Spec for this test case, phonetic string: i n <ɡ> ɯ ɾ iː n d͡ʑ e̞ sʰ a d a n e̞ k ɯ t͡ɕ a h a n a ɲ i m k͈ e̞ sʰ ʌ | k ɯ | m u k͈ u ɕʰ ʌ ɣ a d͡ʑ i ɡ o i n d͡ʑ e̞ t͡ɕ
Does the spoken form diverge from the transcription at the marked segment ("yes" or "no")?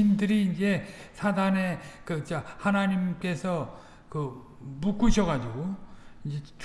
yes